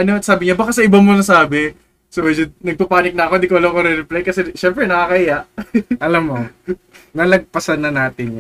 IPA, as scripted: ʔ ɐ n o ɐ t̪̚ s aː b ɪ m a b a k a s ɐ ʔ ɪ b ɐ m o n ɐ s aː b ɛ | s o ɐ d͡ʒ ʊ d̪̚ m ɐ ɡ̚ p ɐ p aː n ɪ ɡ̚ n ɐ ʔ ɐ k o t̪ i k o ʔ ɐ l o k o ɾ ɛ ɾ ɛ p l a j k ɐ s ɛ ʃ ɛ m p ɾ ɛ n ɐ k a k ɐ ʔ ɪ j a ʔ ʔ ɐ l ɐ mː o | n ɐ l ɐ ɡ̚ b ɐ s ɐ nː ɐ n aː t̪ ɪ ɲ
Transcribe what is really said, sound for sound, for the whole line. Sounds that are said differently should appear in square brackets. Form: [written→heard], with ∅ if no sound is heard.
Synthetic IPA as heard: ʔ ɐ n o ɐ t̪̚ s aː b ɪ [m→ɲ] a b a k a s ɐ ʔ ɪ b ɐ m o n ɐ s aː b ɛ | s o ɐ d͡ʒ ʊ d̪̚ [m→n] ɐ ɡ̚ p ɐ p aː n ɪ [ɡ̚→k̚] n ɐ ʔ ɐ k o [t̪→d̪] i k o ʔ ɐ l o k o ɾ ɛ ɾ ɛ p l a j k ɐ s ɛ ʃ ɛ m p ɾ ɛ n ɐ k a k ɐ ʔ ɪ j a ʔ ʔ ɐ l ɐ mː o | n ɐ l ɐ ɡ̚ [b→p] ɐ s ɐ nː ɐ n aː t̪ ɪ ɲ